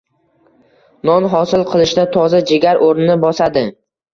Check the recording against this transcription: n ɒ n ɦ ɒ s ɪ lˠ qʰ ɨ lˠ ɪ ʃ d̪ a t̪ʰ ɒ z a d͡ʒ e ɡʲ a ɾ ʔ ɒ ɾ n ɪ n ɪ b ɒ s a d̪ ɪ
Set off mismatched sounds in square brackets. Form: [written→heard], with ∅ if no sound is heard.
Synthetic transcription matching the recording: n ɒ n ɦ ɒ s ɪ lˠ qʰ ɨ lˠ ɪ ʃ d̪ a t̪ʰ ɒ z a d͡ʒ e ɡʲ a ɾ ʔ [ɒ→o] ɾ n ɪ n ɪ b ɒ s a d̪ ɪ